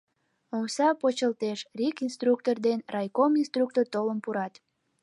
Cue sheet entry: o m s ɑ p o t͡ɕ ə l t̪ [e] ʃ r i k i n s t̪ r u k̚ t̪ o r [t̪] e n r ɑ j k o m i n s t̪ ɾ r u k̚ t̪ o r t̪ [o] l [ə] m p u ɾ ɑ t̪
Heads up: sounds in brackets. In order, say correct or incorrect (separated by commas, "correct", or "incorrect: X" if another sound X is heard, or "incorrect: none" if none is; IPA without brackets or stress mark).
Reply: correct, incorrect: d̪, correct, correct